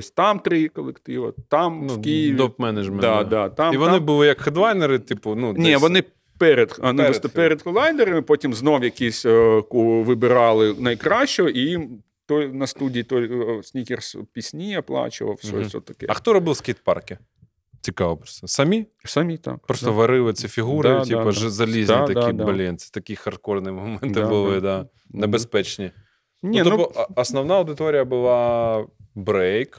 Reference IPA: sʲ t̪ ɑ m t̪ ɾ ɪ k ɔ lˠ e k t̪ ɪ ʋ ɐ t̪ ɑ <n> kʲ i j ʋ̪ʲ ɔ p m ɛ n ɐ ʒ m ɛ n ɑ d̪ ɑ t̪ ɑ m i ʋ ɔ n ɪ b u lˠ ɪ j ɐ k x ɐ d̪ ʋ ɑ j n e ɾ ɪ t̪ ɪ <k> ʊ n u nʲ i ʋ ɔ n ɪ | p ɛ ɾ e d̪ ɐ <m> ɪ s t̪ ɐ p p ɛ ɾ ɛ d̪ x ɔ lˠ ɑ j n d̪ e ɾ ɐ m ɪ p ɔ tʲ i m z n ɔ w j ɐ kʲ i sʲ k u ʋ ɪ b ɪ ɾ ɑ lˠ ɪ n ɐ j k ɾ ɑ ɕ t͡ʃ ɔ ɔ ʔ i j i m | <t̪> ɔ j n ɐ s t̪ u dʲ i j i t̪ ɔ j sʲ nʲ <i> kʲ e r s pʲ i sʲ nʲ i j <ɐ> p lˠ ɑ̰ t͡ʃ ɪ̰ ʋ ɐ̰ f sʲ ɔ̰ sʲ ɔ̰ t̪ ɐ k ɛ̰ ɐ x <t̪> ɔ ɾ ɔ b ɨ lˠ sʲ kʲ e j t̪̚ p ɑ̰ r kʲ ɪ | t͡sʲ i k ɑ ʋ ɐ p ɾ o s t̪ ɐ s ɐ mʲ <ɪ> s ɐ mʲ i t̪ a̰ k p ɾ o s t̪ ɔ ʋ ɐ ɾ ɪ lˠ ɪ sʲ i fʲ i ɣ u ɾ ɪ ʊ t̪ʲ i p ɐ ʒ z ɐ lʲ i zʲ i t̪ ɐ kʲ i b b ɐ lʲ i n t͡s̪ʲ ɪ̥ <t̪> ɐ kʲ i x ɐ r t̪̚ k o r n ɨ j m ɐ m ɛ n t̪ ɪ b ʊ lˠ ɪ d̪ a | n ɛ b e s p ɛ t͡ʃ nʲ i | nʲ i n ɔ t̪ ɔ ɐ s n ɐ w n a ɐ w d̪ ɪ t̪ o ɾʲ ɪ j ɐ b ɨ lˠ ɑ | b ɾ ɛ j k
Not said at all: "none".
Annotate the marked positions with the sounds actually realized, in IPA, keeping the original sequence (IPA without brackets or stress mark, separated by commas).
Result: m, p, n, t̪, i, ɐ, t̪, i, t̪